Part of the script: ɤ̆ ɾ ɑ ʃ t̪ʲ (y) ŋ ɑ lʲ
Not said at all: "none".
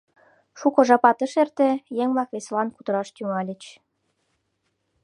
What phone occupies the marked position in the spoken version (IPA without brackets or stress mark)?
y